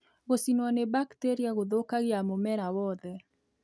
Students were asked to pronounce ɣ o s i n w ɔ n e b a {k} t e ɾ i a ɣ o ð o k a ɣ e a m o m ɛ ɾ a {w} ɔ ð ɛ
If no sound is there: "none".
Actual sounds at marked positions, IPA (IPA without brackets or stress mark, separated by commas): k, w